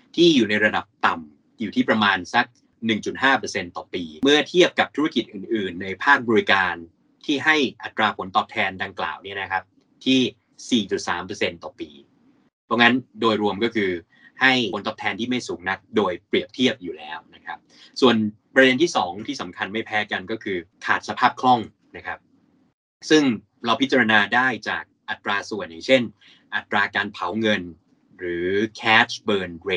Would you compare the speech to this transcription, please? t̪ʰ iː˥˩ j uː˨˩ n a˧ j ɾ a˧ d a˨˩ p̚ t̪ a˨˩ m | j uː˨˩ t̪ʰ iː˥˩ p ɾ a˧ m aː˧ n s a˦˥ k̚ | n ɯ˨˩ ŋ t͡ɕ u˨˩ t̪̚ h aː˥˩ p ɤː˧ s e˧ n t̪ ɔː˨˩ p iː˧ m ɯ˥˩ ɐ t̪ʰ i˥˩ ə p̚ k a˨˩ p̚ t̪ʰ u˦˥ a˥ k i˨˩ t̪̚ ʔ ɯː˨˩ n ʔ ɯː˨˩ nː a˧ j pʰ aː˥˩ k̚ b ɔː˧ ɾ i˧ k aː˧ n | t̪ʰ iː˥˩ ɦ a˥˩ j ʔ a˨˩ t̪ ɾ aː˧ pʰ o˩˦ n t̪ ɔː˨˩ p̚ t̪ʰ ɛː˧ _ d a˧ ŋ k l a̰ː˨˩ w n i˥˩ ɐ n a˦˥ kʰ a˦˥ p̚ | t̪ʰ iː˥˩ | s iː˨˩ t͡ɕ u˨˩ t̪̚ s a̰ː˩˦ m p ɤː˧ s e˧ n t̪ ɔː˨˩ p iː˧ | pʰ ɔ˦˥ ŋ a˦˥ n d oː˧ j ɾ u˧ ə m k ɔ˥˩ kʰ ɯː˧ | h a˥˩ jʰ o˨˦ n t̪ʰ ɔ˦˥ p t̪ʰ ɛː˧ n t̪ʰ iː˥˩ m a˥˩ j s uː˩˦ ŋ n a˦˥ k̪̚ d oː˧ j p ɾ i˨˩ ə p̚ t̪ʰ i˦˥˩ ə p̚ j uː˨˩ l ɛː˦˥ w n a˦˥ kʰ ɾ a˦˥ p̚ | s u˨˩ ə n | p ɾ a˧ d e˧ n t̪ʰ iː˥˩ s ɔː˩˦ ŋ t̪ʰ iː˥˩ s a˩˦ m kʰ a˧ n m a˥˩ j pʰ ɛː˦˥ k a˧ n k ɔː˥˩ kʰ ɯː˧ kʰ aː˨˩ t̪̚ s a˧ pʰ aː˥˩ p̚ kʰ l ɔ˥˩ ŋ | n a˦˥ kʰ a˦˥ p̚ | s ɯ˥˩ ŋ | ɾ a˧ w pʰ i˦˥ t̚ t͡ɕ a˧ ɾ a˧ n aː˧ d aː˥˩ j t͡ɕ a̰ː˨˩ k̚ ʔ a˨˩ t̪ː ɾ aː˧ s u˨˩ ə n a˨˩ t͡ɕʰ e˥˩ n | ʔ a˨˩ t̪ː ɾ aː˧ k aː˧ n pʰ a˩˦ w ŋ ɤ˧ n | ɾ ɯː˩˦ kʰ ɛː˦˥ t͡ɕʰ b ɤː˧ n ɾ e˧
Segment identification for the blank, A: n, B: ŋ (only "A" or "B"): A